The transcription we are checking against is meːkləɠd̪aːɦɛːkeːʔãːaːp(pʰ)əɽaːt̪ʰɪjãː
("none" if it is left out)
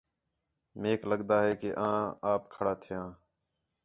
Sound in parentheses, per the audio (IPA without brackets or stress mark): kʰ